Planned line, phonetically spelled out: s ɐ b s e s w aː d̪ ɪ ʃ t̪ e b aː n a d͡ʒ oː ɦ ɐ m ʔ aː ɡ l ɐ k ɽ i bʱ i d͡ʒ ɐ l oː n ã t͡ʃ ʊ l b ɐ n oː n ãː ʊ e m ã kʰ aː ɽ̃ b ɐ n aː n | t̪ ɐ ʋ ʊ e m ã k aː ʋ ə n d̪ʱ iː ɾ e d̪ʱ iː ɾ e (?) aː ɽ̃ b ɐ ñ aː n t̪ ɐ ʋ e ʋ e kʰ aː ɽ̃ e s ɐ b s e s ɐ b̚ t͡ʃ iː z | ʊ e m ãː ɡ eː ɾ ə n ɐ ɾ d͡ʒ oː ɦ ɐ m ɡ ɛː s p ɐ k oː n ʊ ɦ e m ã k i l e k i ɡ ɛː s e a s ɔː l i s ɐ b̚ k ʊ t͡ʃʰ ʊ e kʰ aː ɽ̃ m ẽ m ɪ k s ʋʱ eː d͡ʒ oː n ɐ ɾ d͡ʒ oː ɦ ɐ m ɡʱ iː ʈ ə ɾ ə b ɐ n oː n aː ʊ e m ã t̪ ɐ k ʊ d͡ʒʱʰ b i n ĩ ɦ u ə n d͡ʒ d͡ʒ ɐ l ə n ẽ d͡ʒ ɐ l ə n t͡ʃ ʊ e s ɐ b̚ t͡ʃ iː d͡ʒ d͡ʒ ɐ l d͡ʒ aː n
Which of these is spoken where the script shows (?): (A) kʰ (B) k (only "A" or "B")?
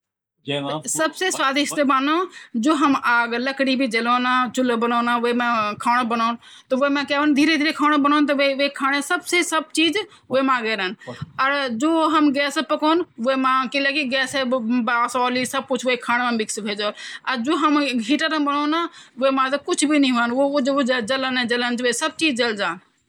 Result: A